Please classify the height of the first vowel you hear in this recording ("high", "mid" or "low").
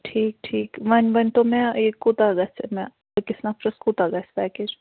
high